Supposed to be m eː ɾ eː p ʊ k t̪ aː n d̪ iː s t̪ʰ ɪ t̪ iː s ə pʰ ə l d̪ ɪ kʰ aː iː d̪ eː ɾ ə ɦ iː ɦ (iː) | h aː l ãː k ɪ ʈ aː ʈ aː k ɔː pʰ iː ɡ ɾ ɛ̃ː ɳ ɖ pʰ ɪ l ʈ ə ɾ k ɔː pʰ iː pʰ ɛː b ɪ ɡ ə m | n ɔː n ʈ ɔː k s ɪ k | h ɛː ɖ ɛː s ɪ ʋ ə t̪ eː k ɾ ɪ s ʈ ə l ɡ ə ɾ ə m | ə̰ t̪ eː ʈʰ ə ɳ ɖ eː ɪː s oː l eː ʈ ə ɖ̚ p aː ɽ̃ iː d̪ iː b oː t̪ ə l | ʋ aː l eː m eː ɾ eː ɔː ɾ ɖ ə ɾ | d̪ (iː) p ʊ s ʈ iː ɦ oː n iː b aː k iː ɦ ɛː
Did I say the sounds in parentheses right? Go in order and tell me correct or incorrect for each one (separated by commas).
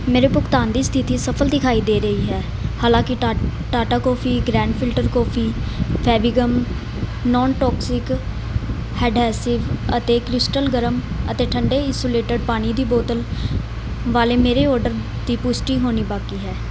incorrect, correct